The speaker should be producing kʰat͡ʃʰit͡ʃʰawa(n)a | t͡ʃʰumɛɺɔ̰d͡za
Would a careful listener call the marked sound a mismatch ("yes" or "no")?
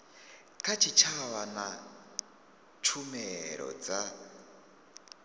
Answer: no